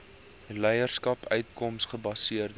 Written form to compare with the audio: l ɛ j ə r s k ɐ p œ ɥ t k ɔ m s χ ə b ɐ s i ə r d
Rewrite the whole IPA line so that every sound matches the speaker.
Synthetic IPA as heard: l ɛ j ə r s k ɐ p œ ɥ t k ɔ m s χ ə b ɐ s i ə r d